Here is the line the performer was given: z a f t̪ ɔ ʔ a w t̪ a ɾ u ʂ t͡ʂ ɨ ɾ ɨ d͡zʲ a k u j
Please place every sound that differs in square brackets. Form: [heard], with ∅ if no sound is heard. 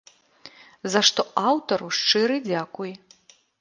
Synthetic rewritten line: z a [ʂ] t̪ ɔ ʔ a w t̪ [ɐ] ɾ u ʂ t͡ʂ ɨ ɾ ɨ d͡zʲ a k u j